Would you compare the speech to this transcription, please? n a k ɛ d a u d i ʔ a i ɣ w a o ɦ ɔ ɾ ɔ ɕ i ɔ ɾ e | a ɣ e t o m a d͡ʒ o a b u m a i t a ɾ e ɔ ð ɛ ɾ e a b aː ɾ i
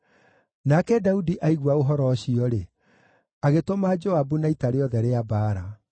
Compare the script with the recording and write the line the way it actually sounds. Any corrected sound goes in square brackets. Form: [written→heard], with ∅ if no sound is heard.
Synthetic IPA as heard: n a k ɛ d a u d i ʔ a i ɣ w a o ɦ ɔ ɾ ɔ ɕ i ɔ ɾ e | a ɣ e t o m a d͡ʒ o a b u [m→n] a i t a ɾ e ɔ ð ɛ ɾ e a b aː ɾ [i→a]